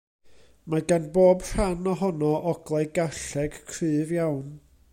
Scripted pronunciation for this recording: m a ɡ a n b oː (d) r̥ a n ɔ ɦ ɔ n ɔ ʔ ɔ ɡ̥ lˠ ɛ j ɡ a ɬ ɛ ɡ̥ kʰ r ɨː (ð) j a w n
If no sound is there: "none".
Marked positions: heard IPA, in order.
b, v

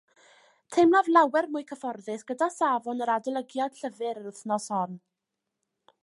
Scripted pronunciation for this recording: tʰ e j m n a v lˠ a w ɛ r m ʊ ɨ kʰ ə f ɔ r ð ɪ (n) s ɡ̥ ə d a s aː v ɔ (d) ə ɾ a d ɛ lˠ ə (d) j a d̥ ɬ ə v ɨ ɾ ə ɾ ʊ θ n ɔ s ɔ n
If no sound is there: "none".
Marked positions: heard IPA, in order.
none, n, ɡ

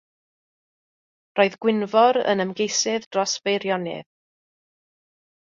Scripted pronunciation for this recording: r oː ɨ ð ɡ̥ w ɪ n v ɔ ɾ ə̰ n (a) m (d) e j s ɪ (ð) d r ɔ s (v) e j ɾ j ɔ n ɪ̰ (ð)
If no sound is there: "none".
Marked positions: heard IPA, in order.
ə, ɡ, ð, v, ð

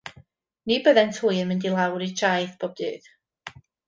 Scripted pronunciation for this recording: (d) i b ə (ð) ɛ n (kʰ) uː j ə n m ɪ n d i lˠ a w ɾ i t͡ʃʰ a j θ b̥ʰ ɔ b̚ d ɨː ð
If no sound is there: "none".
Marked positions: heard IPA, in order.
n, ð, tʰ

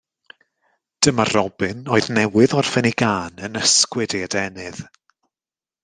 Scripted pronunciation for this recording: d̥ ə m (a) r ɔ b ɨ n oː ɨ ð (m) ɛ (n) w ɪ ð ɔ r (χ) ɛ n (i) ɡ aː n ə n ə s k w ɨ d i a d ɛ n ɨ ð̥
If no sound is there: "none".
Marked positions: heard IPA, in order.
a, n, none, f, i

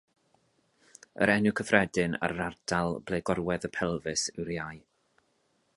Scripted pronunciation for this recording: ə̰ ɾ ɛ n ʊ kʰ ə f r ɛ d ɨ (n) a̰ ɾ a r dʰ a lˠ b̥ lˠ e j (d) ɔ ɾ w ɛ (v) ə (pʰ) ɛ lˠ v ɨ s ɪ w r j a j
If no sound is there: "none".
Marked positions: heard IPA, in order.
n, ɡ, ð, pʰ

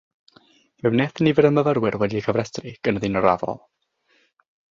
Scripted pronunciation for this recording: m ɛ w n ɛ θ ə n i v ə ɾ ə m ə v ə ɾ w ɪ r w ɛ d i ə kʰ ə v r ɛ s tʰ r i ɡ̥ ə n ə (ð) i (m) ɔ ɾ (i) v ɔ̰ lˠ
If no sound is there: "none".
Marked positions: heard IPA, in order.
ð, n, a

